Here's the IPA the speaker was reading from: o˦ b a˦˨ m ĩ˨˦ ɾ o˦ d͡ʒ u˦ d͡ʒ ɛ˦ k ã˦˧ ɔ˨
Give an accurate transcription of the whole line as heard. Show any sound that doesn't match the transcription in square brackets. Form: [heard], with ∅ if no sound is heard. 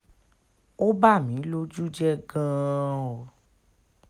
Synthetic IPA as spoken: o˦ b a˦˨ m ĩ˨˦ [l] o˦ d͡ʒ u˦ d͡ʒ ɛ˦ [ɡ] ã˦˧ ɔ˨